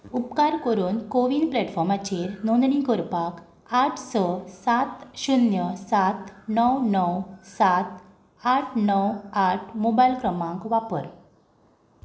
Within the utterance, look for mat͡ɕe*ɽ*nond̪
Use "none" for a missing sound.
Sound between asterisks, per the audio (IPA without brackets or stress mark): ɾ